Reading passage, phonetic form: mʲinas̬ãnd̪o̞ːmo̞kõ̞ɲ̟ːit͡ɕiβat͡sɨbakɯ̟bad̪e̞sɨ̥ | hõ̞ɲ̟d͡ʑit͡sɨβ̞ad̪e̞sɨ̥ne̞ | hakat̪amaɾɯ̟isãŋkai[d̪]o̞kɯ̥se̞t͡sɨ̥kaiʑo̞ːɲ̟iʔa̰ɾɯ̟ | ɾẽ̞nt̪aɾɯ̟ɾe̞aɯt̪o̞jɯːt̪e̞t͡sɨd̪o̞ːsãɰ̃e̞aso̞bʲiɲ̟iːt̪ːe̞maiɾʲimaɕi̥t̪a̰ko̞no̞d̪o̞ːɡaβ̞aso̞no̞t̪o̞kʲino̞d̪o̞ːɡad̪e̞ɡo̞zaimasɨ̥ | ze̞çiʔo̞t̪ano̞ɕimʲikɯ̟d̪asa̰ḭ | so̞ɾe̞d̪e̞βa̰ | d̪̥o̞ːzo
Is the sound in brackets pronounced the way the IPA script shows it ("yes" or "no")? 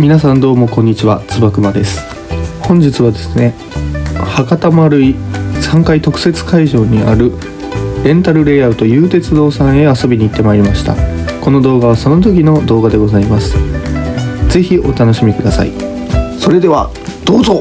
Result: no